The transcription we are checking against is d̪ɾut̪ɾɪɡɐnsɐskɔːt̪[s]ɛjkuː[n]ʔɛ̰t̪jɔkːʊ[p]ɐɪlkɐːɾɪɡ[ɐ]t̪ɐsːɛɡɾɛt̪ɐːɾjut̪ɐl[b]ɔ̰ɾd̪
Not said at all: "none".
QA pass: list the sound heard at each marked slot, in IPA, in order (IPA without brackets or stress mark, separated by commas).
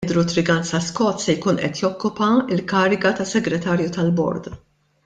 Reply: s, n, p, ɐ, b